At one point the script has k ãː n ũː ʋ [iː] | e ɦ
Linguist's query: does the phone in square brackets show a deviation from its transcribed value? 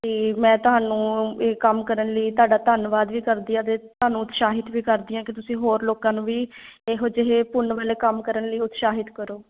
no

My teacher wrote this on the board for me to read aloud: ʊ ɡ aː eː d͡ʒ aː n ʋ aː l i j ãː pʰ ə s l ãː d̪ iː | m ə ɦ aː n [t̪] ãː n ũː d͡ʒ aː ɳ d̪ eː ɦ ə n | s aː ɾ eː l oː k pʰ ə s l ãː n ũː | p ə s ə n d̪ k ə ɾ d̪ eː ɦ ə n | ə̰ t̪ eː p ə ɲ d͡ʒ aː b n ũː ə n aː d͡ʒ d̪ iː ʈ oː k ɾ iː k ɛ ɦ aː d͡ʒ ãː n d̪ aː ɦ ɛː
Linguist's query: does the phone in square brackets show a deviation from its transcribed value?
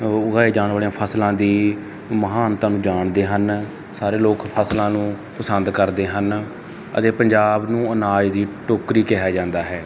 no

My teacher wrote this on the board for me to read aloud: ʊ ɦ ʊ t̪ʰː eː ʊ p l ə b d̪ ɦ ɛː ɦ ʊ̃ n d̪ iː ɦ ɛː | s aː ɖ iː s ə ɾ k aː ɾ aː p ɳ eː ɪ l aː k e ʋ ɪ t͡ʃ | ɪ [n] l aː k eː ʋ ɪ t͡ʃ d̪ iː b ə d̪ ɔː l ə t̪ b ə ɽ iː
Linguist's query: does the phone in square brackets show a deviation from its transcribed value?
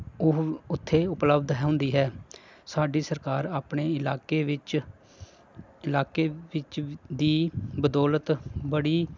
yes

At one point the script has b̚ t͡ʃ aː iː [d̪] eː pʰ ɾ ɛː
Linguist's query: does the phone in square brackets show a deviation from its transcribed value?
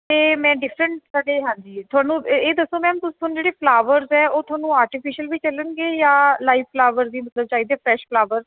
no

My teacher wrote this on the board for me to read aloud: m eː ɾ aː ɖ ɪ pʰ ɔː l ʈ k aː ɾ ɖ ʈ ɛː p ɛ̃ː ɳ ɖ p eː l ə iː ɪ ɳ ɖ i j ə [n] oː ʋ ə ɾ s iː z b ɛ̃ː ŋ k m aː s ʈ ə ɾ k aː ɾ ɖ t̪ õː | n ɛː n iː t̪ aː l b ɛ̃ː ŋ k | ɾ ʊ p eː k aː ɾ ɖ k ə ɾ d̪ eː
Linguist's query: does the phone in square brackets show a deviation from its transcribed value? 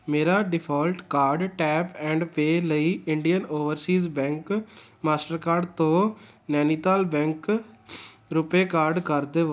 no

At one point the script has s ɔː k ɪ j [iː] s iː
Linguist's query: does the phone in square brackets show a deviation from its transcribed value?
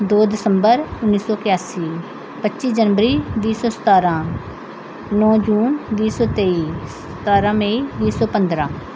yes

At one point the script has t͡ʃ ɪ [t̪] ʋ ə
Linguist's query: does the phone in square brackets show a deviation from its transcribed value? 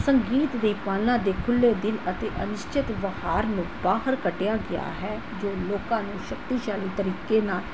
no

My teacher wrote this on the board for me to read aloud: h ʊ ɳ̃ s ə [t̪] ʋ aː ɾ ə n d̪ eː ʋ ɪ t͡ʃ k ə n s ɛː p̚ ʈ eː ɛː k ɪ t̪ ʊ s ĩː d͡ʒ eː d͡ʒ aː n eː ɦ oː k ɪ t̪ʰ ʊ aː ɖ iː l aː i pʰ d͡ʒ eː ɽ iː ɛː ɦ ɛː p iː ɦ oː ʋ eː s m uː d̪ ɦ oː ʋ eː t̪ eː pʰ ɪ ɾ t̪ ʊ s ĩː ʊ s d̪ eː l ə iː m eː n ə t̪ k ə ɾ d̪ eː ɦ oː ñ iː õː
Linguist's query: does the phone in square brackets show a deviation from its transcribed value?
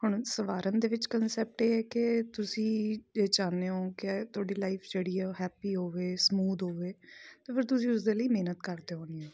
yes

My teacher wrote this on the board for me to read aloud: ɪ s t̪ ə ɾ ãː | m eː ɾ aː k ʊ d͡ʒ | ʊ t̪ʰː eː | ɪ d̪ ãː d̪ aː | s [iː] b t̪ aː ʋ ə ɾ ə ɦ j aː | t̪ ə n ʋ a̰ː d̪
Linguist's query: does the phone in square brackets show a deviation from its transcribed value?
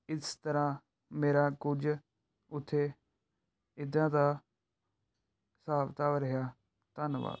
yes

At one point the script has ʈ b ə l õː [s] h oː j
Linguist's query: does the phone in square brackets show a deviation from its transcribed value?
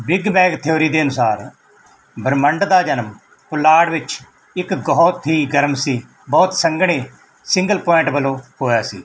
yes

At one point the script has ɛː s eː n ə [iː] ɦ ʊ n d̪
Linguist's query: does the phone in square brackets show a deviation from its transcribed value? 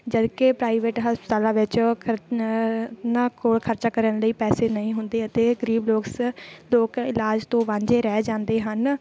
yes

